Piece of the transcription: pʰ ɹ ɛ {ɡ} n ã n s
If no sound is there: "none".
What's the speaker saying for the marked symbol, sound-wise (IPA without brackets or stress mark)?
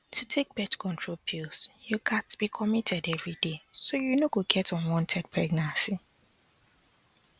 ɡ